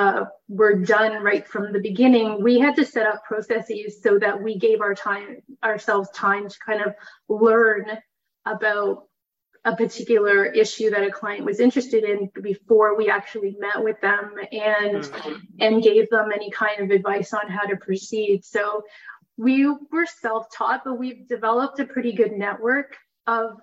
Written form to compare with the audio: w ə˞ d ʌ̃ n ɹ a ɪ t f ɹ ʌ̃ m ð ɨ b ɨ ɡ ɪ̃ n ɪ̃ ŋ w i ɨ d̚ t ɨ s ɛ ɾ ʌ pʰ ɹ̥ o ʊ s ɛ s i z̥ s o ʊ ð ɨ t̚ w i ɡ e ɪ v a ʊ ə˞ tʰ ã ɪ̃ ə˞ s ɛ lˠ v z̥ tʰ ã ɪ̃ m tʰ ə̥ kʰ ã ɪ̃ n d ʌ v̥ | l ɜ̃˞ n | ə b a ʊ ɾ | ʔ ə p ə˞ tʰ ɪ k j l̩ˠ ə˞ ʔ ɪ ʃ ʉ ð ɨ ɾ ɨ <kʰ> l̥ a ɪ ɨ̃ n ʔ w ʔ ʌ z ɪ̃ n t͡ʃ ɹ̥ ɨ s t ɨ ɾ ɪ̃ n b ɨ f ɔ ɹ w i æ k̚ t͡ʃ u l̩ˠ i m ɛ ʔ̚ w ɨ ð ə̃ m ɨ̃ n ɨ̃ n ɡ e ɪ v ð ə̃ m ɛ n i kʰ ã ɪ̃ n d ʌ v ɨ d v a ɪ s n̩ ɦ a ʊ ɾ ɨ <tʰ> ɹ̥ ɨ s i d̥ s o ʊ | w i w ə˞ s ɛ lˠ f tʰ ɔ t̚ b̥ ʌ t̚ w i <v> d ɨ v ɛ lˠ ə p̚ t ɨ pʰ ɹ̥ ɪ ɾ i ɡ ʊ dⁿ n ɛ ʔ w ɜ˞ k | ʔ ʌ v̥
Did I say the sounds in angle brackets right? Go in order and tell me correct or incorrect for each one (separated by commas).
correct, incorrect, correct